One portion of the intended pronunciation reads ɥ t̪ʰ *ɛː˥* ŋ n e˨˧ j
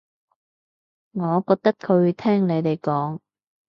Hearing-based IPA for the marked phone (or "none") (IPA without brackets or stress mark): ɛː˥